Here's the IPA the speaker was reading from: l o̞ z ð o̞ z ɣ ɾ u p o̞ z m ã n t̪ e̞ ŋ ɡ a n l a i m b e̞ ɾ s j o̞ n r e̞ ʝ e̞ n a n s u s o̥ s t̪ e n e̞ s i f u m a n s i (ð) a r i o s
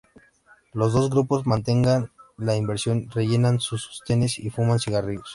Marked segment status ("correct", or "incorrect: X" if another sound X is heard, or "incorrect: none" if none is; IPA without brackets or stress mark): incorrect: ɣ